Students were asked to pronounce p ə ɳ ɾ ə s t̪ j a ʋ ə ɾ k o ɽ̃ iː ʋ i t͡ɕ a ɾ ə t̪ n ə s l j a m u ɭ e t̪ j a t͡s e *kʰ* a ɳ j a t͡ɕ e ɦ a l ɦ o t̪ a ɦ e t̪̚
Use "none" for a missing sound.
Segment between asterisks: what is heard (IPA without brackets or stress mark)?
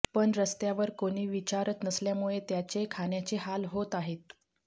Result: kʰ